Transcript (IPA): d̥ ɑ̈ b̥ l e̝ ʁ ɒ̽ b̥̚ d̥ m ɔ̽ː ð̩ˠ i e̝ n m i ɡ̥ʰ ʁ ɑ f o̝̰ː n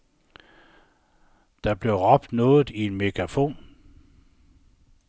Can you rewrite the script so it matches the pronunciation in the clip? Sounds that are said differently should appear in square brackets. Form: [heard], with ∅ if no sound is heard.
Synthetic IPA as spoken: d̥ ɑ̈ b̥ l e̝ ʁ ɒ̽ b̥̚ d̥ [n] ɔ̽ː ð̩ˠ i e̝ n m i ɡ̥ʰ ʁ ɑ f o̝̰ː n